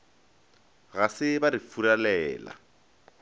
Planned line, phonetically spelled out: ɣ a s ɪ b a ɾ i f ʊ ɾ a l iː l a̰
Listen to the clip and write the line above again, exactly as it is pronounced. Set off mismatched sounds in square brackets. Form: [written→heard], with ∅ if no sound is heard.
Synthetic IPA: ɣ a s ɪ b a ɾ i f [ʊ→u] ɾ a l [iː→ɛː] l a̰